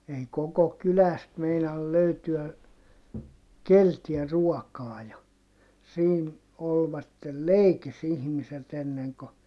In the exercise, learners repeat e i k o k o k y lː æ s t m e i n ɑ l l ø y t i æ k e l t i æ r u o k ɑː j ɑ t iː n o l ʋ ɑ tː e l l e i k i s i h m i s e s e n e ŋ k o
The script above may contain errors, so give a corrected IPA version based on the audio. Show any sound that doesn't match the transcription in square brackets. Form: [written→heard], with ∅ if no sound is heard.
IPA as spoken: e i k o k o k y [lː→l] æ s t m e i n ɑ l l ø y t [i→y] æ k e l t i æ r u [o→ɔ] k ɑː j ɑ [t→s] iː n o l ʋ ɑ tː e l l e i k i s i h m i s e [s→t] e [n→nː] e ŋ k o